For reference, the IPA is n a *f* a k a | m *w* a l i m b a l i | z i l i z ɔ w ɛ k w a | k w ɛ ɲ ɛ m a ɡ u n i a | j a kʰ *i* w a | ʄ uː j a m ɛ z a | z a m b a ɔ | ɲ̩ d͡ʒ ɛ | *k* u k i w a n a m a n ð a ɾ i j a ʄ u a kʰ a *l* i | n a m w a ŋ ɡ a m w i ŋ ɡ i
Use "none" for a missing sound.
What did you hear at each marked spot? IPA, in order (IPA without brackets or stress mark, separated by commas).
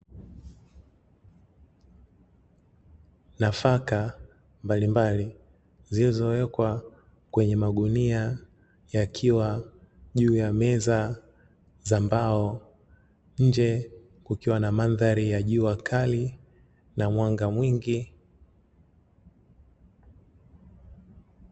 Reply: f, b, i, k, l